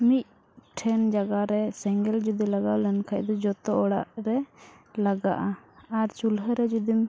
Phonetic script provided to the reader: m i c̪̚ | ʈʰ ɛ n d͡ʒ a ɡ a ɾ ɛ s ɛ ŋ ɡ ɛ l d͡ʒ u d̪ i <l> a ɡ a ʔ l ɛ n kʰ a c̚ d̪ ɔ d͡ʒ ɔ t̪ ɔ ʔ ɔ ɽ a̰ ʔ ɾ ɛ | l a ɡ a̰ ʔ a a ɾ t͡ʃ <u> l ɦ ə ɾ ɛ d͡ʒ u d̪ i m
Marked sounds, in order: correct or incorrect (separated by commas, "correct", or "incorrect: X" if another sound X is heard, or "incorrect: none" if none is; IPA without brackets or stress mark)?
correct, correct